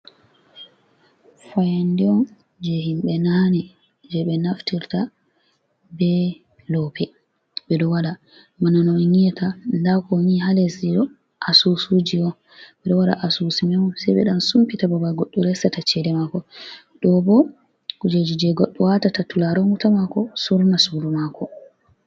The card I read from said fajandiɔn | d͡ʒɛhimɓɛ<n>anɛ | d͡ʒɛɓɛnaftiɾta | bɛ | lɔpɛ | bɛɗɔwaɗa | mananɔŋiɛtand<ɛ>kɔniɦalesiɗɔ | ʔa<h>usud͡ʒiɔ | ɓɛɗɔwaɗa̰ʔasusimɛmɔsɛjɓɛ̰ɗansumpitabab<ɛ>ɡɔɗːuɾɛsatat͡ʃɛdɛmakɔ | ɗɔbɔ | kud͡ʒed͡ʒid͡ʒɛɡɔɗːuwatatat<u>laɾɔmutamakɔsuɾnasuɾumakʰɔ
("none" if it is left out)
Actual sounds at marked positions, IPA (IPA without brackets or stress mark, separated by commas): n, a, s, a, u